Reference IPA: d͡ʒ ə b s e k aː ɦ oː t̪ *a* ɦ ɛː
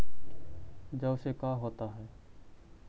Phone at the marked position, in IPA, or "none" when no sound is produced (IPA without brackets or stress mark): a